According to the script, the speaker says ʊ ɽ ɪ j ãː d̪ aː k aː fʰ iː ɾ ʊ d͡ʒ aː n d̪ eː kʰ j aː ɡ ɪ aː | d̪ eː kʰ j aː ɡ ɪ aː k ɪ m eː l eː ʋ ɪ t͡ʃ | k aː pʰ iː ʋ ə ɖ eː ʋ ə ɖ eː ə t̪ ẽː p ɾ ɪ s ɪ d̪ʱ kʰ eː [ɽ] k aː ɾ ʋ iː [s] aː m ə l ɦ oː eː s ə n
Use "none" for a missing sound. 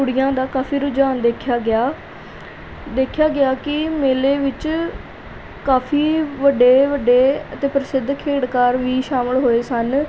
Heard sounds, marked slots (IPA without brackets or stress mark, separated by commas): ɽ, ʃ